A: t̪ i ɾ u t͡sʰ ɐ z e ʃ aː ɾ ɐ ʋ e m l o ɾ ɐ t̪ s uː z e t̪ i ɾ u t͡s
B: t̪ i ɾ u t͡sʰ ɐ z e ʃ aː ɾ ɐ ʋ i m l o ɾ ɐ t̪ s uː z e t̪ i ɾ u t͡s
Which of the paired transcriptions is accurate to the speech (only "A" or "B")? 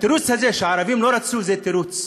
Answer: B